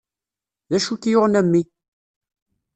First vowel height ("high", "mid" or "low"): low